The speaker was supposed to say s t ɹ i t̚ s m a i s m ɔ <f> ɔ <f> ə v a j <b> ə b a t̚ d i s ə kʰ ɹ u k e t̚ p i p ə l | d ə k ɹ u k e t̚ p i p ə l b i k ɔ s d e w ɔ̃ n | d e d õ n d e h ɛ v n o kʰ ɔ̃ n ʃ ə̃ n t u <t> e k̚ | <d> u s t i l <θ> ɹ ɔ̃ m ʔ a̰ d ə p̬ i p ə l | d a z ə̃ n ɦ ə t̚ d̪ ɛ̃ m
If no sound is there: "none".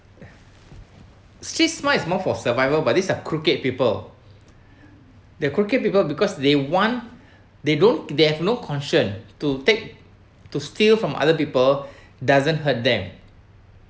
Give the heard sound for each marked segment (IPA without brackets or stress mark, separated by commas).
f, s, v, t, t, f